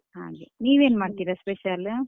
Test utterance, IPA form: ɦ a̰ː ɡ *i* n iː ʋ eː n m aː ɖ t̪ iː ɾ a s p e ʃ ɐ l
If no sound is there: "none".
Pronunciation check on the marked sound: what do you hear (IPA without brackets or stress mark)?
e